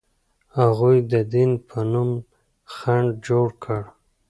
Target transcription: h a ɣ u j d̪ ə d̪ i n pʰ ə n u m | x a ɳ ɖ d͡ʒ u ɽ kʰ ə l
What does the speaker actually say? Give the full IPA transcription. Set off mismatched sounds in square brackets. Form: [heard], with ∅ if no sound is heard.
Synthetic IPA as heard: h a ɣ u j d̪ ə d̪ i n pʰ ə n u m | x a ɳ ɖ d͡ʒ [o] ɽ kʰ ə [ɽ]